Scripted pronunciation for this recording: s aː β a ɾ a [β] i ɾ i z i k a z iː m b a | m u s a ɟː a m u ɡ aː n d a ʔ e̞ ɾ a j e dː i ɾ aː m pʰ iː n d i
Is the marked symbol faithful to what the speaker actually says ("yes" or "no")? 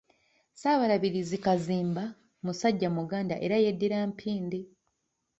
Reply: yes